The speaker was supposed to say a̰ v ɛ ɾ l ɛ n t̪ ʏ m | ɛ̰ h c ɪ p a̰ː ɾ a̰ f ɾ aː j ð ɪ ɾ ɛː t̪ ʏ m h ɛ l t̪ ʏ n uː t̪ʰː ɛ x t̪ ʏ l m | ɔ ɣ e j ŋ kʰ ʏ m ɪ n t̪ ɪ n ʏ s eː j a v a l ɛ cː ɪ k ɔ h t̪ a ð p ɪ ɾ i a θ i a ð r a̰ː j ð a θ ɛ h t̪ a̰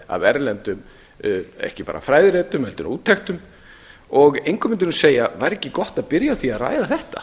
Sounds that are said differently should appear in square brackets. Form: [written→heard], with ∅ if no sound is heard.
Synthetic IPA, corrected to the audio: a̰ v ɛ ɾ l ɛ n t̪ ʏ m | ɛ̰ h c ɪ p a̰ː ɾ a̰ f ɾ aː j ð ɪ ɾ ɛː t̪ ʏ m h ɛ l t̪ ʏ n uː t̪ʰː ɛ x t̪ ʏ [l→∅] m | ɔ ɣ e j ŋ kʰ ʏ m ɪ n t̪ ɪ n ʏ s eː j a v a [l→ɾ] ɛ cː ɪ k ɔ h t̪ a ð p ɪ ɾ [i→j] a θ i a ð r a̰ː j ð a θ ɛ h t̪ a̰

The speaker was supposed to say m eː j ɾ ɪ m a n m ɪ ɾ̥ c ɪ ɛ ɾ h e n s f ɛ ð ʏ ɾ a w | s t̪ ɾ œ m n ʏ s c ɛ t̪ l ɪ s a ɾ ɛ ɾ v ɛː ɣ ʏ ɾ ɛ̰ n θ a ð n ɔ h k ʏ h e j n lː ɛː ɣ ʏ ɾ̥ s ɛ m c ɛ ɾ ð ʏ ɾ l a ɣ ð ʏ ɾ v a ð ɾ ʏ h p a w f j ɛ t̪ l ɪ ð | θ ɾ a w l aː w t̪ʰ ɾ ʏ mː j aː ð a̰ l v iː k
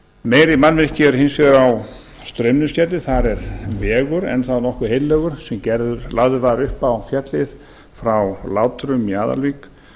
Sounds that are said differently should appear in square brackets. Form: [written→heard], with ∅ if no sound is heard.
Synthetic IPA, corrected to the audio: m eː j ɾ ɪ m a n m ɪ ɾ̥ c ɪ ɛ ɾ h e n s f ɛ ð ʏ ɾ a w | s t̪ ɾ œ m n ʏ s c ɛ t̪ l ɪ [s→θ] a ɾ ɛ ɾ v ɛː ɣ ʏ ɾ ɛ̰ n θ a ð n ɔ h k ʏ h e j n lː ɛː ɣ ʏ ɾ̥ s ɛ m c ɛ ɾ ð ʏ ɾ l a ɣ ð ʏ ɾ v a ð ɾ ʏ h p a w f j ɛ t̪ l ɪ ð | [θ→f] ɾ a w l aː w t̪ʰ ɾ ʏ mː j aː ð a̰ l v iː k

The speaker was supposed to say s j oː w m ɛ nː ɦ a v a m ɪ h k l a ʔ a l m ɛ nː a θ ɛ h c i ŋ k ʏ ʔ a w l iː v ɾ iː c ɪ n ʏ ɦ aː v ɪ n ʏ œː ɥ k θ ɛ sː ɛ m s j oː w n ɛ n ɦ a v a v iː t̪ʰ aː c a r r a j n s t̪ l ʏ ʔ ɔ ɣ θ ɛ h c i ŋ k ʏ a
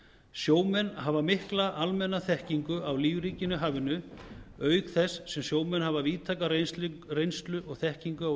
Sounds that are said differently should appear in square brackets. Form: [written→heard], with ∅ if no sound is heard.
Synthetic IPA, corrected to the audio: s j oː w m ɛ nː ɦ a v a m ɪ h k l a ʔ a l m ɛ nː a θ ɛ h c i ŋ k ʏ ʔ a w l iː v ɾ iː c ɪ n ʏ ɦ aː v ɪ n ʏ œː ɥ k θ ɛ sː ɛ m s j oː w [n→m] ɛ n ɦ a v a v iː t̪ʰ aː [c→k] a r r [a→e] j n s t̪ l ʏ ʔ ɔ ɣ θ ɛ h c i ŋ k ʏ a

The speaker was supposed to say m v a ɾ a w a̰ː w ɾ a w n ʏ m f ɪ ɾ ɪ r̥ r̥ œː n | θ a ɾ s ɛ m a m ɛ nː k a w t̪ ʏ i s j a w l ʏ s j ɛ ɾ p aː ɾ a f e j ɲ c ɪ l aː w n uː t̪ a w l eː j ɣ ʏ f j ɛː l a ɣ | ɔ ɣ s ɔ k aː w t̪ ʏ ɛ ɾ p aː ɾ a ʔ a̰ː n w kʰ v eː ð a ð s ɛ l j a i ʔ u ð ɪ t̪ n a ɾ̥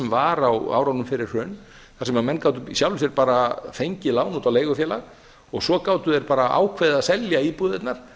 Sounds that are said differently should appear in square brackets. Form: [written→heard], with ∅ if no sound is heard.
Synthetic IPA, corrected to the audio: m v a ɾ a w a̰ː w ɾ a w n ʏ m f ɪ ɾ ɪ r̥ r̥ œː n | θ a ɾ s ɛ m a m ɛ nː k a w t̪ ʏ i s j a w l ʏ s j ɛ ɾ p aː ɾ a f e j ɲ c ɪ l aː w n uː t̪ a w l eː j ɣ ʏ f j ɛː l a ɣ | ɔ ɣ s ɔ k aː w t̪ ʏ ɛ ɾ p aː ɾ a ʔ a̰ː [n→∅] w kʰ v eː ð a ð s ɛ l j a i [ʔ→p] u ð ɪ t̪ n a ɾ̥

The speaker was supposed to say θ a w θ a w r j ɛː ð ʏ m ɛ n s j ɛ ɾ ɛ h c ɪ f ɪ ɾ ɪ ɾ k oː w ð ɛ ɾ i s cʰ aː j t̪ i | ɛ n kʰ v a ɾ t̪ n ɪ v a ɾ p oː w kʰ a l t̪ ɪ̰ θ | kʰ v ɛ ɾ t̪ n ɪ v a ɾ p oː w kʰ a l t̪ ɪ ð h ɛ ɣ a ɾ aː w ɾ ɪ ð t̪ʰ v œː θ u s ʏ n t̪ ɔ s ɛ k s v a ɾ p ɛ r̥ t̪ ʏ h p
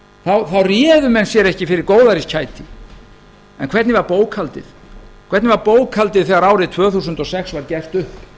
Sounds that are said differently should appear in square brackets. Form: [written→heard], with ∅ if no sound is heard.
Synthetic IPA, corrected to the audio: θ a w θ a w r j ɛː ð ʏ m ɛ n s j ɛ ɾ ɛ h c ɪ f ɪ ɾ ɪ ɾ k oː w ð [ɛ→a] ɾ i s cʰ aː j t̪ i | ɛ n kʰ v [a→ɛ] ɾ t̪ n ɪ v a ɾ p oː w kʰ a l t̪ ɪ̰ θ | kʰ v ɛ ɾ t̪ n ɪ v a ɾ p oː w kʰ a l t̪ ɪ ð [h→θ] ɛ ɣ a ɾ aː w ɾ ɪ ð t̪ʰ v œː θ u s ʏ n t̪ ɔ s ɛ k s v a ɾ [p→c] ɛ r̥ t̪ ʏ h p

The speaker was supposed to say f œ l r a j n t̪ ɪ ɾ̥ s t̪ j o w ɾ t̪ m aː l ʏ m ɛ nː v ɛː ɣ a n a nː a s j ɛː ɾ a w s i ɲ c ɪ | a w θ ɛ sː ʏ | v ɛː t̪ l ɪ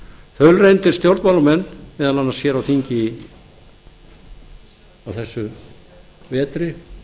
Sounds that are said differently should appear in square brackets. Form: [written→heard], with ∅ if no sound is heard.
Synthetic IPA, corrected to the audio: f œ l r [a→e] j n t̪ ɪ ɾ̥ s t̪ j o w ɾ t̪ m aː l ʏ m ɛ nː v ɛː [ɣ→ð] a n a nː a s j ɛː ɾ a w [s→θ] i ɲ c ɪ | a w θ ɛ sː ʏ | v ɛː t̪ [l→ɾ] ɪ

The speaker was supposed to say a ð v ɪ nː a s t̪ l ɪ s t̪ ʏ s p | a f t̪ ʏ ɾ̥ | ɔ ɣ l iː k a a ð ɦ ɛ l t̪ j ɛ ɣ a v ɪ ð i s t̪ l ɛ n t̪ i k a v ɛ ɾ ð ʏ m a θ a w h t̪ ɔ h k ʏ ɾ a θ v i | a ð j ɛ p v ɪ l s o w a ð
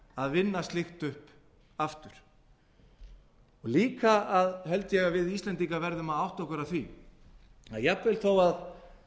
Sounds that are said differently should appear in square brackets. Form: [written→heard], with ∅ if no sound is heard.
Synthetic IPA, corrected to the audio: a ð v ɪ nː a s t̪ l ɪ [s→x] t̪ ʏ [s→h] p | a f t̪ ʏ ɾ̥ | ɔ ɣ l iː k a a ð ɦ ɛ l t̪ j ɛ ɣ a v ɪ ð i s t̪ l ɛ n t̪ i k a v ɛ ɾ ð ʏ m a [θ→ð] a w h t̪ ɔ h k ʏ ɾ a θ v i | a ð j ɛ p v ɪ l [s→θ] o w a ð

